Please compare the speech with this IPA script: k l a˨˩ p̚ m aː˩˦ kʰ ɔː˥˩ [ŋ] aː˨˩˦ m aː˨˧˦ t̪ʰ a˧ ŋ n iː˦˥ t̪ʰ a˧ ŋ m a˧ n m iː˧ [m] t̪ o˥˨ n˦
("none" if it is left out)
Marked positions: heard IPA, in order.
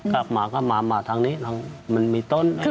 m, none

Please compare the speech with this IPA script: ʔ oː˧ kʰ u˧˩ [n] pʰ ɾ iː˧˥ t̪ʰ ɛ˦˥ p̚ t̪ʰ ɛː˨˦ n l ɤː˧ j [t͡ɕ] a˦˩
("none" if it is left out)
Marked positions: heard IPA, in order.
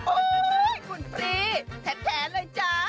n, t͡ɕ

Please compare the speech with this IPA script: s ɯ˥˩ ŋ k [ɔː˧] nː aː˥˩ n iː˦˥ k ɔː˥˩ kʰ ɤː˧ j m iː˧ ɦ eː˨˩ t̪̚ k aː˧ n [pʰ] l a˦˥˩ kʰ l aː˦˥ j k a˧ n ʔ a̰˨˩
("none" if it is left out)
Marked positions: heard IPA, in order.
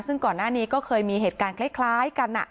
ɔː˨˩, kʰ

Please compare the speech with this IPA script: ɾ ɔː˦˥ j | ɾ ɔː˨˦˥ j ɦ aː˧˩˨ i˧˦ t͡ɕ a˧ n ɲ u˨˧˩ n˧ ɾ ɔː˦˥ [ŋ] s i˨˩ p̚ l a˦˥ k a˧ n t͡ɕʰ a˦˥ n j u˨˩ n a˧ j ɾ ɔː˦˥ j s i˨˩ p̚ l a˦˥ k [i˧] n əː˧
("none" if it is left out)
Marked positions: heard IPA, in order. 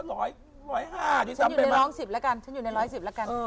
ŋ, a˧

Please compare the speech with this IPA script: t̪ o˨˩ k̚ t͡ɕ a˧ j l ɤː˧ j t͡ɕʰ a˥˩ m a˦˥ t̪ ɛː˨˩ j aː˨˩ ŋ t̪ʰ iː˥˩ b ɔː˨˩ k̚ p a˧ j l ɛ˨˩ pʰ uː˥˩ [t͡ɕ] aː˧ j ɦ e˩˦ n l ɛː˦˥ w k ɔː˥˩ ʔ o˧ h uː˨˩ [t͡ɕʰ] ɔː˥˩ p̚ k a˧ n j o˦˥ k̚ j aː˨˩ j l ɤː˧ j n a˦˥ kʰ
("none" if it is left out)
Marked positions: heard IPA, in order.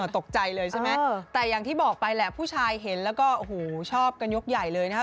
t͡ɕʰ, t͡ɕʰ

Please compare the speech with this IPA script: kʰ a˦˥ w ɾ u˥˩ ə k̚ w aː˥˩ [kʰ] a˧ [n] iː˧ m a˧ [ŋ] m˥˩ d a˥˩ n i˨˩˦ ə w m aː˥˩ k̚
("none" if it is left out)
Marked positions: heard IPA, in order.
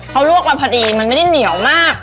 pʰ, d, n

